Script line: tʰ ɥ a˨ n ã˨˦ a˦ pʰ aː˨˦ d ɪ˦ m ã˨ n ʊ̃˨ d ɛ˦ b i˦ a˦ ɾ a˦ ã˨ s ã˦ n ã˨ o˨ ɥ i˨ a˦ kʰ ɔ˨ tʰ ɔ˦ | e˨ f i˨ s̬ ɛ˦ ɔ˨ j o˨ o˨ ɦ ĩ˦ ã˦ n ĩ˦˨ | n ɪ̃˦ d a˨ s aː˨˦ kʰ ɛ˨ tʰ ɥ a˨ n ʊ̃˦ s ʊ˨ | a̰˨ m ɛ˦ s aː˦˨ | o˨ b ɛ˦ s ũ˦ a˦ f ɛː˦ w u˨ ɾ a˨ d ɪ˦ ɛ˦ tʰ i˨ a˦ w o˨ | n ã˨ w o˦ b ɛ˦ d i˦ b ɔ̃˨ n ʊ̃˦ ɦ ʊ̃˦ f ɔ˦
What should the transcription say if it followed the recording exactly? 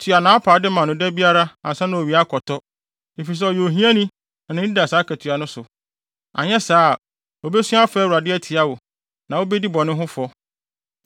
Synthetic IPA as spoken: tʰ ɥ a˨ n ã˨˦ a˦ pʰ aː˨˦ d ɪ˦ m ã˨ n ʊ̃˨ d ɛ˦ b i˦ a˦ ɾ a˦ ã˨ s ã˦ n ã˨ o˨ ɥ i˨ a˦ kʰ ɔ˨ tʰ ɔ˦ | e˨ f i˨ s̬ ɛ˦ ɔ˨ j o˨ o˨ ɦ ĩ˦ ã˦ n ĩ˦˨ | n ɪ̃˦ d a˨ s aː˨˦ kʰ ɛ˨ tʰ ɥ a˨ n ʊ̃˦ s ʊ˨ | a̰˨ ɲ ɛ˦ s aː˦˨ | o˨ b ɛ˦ s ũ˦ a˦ f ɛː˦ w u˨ ɾ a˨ d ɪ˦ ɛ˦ tʰ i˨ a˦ w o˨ | n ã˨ w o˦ b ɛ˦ d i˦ b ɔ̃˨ n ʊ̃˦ ɦ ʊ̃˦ f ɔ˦